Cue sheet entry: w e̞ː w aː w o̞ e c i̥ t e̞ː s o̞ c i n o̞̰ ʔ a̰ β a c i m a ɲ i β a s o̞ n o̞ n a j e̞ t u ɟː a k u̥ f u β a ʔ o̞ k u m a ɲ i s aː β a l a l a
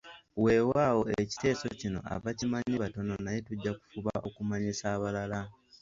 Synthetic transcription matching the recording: w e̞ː w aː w o̞ e c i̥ t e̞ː s o̞ c i n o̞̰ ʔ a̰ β a c i m a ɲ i β a t o̞ n o̞ n a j e̞ t u ɟː a k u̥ f u β a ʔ o̞ k u m a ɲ i s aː β a l a l a